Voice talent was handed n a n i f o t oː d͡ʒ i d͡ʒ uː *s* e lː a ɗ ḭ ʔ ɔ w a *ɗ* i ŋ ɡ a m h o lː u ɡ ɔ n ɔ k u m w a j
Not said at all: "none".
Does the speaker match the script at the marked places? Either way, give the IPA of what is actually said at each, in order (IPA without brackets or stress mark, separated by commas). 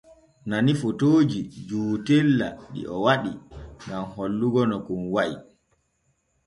t, ɗ